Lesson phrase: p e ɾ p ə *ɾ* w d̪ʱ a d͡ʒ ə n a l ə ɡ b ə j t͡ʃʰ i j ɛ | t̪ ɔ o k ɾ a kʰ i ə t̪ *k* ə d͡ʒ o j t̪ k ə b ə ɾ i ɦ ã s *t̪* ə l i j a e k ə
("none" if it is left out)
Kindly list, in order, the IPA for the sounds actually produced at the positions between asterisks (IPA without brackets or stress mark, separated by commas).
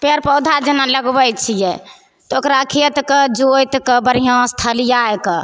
none, k, t̪ʰ